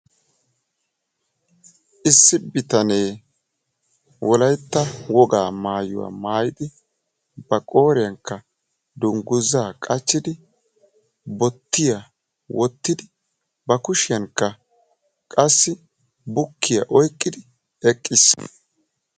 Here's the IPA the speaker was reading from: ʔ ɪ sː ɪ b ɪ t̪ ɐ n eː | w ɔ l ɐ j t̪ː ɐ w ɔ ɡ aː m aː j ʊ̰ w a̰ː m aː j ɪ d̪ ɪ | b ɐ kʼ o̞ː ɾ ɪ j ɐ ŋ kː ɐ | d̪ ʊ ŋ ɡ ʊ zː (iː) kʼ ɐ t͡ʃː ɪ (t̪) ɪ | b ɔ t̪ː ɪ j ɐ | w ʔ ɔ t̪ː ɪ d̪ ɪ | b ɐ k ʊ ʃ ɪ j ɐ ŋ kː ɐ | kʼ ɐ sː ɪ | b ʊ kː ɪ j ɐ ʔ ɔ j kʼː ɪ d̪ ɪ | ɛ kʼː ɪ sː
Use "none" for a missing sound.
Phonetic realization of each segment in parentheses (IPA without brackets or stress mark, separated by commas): aː, d̪